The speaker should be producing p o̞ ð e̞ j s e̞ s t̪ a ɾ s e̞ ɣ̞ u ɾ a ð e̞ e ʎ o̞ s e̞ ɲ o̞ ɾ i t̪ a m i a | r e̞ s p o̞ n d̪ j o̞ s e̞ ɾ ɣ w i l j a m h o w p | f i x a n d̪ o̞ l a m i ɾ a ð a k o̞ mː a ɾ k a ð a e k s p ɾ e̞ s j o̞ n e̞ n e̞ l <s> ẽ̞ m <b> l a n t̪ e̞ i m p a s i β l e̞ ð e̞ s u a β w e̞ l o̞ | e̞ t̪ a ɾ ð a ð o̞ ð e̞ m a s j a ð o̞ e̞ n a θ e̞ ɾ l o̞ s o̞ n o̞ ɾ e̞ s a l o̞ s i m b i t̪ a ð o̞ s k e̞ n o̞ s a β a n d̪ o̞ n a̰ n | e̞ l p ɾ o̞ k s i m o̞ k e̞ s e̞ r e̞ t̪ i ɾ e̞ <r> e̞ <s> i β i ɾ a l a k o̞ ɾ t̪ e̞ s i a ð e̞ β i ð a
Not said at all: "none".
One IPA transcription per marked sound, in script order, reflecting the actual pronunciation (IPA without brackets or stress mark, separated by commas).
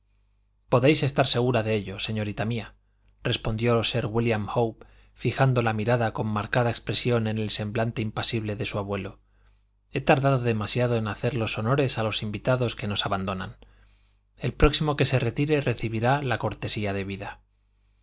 s, b, r, θ